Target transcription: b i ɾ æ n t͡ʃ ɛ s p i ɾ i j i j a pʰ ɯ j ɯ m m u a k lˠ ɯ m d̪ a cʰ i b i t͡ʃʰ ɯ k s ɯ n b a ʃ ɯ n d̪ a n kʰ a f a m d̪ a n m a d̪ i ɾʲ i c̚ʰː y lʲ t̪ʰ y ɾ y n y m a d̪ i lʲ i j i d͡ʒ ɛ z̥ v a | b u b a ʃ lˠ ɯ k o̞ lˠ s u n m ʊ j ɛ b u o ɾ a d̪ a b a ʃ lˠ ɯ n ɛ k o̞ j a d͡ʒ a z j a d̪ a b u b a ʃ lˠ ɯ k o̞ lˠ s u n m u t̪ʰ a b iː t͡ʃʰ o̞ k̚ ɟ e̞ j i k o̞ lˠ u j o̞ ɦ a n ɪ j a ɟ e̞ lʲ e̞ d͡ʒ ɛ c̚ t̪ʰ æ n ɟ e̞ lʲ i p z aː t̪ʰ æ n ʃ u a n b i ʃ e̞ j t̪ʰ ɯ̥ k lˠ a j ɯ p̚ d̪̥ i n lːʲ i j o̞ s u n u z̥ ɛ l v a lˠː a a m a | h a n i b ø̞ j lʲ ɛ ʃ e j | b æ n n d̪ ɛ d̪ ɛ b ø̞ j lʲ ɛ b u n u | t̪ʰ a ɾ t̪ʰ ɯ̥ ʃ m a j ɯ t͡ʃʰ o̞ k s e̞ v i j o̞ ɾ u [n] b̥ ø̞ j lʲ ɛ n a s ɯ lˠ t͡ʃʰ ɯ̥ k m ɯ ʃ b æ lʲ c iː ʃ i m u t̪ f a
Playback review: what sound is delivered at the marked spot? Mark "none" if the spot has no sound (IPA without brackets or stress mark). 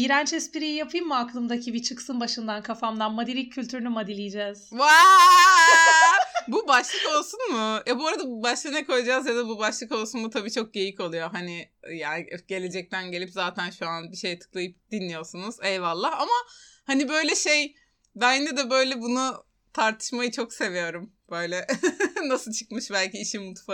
m